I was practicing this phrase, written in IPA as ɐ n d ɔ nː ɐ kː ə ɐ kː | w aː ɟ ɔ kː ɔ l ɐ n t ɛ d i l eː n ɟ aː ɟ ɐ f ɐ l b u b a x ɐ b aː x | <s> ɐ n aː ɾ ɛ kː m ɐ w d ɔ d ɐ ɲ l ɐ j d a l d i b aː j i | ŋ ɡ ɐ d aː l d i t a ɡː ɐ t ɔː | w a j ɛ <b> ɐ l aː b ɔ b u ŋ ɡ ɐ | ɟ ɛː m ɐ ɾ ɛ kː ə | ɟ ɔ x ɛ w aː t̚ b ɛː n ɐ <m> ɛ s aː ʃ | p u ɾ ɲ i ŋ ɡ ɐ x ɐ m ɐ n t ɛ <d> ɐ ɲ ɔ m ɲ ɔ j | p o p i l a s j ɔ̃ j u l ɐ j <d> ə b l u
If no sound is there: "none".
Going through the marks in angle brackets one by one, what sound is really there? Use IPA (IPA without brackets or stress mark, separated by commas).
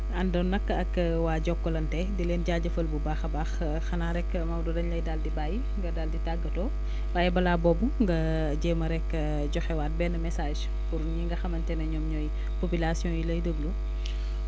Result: x, b, m, n, d